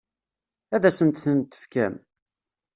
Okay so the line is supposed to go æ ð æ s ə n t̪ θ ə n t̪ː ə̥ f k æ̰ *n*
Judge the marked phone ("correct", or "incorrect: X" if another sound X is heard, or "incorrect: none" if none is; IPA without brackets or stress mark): incorrect: m